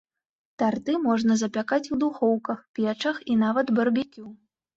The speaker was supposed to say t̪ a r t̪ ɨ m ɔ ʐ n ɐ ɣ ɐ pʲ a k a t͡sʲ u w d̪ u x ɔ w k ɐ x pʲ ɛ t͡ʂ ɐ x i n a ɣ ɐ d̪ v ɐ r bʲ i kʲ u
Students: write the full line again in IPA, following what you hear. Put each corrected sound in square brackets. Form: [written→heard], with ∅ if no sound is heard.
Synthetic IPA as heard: t̪ a r t̪ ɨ m ɔ ʐ n ɐ [ɣ→z] ɐ pʲ a k a t͡sʲ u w d̪ u x ɔ w k ɐ x pʲ ɛ t͡ʂ ɐ x i n a [ɣ→v] ɐ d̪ [v→b] ɐ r bʲ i kʲ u